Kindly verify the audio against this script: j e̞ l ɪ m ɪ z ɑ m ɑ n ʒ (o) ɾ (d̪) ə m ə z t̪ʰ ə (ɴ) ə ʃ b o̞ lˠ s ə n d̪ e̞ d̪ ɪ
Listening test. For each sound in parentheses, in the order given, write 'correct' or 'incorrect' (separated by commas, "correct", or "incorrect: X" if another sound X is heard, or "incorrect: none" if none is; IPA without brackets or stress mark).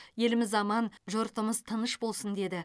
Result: correct, incorrect: t̪, incorrect: n